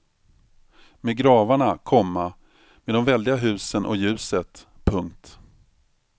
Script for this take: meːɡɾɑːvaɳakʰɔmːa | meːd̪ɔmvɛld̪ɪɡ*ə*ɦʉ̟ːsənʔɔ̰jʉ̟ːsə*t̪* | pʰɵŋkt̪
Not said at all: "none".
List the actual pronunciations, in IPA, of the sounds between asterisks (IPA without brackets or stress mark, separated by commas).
a, t̪